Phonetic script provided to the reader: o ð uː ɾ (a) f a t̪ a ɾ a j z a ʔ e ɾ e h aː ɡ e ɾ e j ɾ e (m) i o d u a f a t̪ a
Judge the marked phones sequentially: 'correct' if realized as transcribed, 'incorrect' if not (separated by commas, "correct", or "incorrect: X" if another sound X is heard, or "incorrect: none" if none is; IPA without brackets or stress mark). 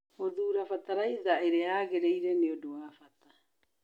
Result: correct, incorrect: n